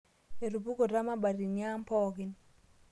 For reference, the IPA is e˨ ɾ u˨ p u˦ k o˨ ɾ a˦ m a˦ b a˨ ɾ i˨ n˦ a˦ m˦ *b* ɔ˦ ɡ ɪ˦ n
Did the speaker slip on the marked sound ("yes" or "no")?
yes